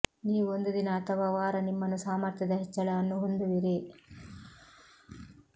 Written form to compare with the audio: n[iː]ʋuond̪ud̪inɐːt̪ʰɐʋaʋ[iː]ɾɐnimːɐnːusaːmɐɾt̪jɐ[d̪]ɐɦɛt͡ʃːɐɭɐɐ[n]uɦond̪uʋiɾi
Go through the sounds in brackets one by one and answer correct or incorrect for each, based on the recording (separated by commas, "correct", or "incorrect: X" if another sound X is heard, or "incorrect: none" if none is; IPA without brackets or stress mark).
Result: correct, incorrect: aː, correct, incorrect: nː